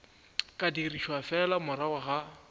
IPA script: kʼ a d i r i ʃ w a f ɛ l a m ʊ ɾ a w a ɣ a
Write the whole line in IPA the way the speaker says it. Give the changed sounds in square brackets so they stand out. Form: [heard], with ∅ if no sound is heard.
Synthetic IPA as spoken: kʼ a d i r i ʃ w a f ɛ l a m ʊ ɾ a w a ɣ a